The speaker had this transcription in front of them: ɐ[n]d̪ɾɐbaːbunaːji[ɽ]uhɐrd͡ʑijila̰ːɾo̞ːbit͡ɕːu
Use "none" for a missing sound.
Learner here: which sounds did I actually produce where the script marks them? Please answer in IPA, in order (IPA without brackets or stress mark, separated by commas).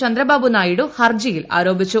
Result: n, ɽ